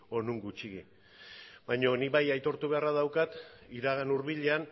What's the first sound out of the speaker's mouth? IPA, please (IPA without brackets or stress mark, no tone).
o̞